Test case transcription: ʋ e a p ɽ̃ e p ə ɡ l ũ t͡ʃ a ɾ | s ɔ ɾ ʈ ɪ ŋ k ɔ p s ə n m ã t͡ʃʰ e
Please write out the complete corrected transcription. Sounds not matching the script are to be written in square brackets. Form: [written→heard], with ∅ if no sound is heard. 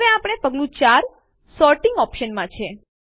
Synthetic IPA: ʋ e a p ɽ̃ e p ə ɡ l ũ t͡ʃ a ɾ | s ɔ ɾ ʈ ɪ ŋ [k→ɡ] ɔ p [s→ʃ] ə n m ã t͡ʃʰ e

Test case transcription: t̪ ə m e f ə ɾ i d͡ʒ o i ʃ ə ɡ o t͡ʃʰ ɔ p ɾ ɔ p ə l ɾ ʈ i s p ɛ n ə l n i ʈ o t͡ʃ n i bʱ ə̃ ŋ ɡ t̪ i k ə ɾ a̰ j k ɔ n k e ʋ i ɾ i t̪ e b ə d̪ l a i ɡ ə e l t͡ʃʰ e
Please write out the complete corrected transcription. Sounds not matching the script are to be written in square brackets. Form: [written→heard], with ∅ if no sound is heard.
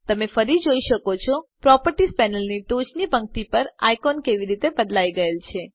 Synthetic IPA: t̪ ə m e f ə ɾ i d͡ʒ o i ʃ ə [ɡ→k] o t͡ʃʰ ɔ p ɾ ɔ p ə [l→∅] ɾ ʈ i s p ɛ n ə l n i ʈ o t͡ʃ n i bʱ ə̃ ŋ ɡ t̪ i [k→p] ə ɾ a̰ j k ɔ n k e ʋ i ɾ i t̪ e b ə d̪ l a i ɡ ə e l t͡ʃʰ e

